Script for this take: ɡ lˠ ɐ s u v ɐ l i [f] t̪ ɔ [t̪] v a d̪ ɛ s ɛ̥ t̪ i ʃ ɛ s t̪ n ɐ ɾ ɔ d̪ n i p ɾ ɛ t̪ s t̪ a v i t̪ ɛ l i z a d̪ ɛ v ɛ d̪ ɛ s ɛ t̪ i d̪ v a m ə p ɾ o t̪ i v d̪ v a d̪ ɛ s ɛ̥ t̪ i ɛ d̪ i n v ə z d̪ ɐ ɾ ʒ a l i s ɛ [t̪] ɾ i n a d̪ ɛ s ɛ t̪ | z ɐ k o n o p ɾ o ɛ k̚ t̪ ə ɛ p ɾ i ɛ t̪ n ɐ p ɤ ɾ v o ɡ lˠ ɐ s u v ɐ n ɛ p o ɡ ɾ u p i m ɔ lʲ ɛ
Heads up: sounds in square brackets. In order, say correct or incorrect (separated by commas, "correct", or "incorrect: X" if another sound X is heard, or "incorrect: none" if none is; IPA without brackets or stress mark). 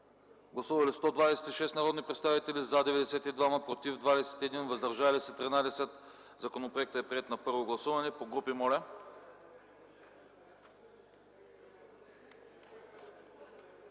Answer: incorrect: s, incorrect: d̪, correct